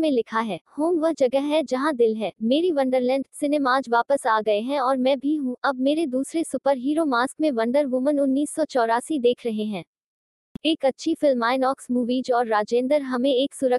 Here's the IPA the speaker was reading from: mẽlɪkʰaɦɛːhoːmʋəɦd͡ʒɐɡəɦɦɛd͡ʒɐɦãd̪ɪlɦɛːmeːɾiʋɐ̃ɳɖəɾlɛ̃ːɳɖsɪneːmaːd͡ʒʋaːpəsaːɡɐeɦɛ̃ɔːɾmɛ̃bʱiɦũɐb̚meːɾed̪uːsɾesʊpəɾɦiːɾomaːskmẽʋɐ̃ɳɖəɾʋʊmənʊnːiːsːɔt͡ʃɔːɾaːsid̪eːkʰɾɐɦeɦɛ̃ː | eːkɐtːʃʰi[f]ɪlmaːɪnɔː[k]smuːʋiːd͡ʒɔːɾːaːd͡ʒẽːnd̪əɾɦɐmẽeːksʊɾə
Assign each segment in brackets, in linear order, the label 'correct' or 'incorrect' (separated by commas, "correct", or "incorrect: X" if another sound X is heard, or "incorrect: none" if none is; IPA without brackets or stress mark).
correct, correct